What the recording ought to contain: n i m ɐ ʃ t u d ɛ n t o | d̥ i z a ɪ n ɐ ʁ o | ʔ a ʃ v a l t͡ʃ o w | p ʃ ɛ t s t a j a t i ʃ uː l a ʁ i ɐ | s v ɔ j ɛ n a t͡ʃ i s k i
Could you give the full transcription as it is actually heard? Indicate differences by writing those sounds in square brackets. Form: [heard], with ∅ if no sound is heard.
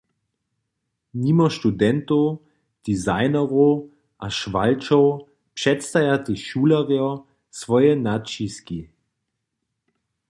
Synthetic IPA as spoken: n i m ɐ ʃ t u d ɛ n t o | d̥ i z a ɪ n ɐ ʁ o | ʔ a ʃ v a l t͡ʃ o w | p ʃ ɛ t s t a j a t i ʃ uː l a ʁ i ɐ | s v ɔ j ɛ n a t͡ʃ i s k i